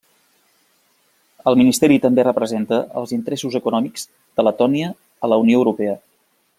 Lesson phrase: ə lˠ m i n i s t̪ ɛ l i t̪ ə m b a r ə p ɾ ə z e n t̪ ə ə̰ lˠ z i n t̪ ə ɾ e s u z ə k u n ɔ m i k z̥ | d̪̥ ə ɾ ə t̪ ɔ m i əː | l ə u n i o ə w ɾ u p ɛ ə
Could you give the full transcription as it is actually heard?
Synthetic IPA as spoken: ə lˠ m i n i s t̪ ɛ ɾ i t̪ ə m b e r ə p ɾ ə z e n t̪ ə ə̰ lˠ z i n t̪ ə ɾ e s u z ə k u n ɔ m i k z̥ | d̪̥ ə l ə t̪ ɔ n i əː | l ə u n i o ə w ɾ u p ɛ ə